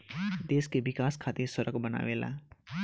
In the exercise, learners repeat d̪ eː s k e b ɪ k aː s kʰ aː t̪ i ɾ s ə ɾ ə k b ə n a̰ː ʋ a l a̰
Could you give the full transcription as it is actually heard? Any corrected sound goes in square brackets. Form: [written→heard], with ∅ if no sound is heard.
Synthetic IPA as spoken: d̪ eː s k e b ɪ k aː s kʰ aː t̪ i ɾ s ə ɾ ə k b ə n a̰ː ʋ [a→e] l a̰